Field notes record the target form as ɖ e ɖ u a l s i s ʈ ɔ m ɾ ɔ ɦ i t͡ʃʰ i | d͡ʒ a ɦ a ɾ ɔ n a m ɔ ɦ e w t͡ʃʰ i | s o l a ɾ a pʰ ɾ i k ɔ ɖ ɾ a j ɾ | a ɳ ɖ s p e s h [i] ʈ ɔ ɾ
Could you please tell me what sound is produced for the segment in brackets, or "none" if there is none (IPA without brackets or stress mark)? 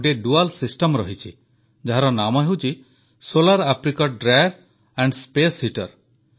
i